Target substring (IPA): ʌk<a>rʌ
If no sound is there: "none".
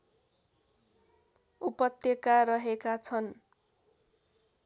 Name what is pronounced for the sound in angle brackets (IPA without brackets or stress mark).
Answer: a